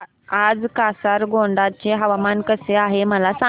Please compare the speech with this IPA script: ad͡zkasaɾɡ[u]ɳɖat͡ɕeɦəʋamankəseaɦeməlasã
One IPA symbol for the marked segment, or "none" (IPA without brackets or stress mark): o